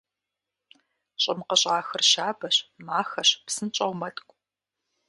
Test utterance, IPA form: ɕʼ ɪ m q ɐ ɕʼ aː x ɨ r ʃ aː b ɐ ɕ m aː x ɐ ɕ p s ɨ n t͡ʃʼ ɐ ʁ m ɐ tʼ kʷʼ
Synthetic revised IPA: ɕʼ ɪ m q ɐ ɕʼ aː x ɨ r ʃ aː b ɐ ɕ m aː x ɐ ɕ p s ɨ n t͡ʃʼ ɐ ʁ m ɐ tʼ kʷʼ